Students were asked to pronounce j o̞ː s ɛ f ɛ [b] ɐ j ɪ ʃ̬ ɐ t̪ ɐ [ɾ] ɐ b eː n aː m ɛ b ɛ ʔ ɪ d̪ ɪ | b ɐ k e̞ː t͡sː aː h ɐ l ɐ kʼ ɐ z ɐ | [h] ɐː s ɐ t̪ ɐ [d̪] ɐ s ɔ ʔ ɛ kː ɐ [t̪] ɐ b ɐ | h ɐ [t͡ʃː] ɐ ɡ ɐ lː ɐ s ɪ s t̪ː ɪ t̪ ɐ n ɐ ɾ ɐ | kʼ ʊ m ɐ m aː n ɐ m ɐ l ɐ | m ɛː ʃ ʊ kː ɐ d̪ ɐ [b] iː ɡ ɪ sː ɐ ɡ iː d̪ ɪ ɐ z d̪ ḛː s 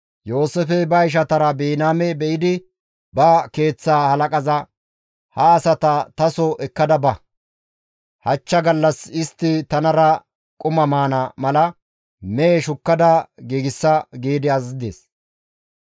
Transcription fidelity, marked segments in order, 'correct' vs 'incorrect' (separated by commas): correct, correct, correct, incorrect, incorrect, correct, incorrect